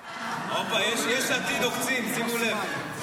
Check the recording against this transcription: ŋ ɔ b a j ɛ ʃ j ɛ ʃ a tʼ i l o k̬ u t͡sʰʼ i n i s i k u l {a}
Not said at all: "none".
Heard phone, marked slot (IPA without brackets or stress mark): ɛ